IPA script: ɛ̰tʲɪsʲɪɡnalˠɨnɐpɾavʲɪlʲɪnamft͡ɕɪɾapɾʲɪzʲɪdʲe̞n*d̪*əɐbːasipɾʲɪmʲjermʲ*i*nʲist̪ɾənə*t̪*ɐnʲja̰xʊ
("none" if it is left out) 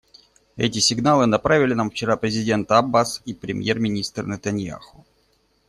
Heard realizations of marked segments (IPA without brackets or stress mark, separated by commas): t̪, ɪ, t̪